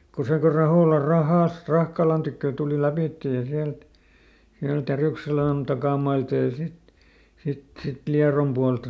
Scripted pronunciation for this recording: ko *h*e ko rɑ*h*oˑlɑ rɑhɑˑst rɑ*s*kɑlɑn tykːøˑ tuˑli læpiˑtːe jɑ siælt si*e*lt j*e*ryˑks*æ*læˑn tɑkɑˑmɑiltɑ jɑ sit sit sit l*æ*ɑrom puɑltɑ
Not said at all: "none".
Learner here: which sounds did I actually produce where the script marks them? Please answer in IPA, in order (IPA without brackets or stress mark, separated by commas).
s, h, h, æ, æ, e, i